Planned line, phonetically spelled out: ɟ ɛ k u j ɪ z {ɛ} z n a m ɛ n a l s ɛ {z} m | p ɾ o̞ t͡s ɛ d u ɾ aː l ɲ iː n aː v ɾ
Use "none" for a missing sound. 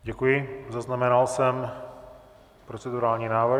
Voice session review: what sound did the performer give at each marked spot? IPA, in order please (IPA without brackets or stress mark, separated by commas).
a, none